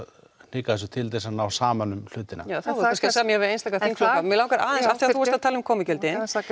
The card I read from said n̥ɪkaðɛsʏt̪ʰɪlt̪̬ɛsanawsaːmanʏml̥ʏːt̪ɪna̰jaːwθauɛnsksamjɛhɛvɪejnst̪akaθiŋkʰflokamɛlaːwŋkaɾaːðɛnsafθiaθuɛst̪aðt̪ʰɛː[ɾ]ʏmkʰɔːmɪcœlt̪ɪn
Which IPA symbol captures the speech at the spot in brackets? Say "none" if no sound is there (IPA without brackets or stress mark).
l